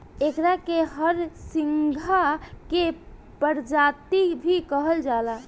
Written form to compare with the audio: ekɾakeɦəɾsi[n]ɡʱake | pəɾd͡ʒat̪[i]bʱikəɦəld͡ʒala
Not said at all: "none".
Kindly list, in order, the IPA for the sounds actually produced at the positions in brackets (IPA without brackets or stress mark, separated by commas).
ŋ, i